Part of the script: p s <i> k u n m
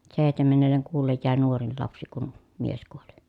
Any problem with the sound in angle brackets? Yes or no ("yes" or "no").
no